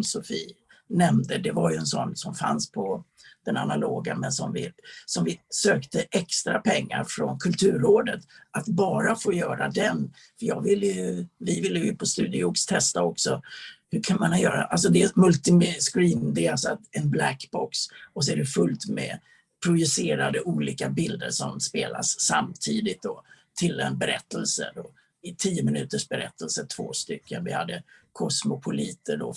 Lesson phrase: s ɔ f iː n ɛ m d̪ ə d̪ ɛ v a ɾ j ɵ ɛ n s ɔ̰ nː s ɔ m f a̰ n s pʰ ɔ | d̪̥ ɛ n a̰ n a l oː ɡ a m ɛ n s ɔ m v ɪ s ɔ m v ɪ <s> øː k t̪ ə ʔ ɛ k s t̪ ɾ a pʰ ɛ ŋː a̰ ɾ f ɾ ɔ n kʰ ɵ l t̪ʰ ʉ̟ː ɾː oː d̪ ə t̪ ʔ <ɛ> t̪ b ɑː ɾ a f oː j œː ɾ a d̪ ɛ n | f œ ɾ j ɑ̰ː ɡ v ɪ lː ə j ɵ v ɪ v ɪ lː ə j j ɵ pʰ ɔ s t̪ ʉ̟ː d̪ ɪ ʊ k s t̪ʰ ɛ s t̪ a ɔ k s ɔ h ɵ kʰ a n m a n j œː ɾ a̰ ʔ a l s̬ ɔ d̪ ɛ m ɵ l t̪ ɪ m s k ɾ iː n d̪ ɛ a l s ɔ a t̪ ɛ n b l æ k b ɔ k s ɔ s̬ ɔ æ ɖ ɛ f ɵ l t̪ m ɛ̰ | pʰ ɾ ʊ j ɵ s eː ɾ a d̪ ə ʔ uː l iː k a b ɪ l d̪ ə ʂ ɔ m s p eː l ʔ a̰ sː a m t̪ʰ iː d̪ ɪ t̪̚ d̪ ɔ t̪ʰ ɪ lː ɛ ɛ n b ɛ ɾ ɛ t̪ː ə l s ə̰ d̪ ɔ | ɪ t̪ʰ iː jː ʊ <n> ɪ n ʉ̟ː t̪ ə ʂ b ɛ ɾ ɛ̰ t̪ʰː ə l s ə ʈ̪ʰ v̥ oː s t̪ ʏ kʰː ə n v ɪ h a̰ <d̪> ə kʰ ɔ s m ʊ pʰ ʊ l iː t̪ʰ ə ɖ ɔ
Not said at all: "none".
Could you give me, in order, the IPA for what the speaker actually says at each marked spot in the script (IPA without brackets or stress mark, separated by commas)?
s, a, m, d̪ː